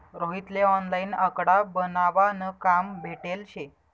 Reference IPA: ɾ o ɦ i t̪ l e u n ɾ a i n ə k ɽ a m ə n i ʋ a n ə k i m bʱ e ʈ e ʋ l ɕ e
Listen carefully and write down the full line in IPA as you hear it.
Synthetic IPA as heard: ɾ o ɦ i t̪ l e ɔ n l a i n ə k ɽ a b ə n a ʋ a n ə k a m bʱ e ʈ e l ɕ e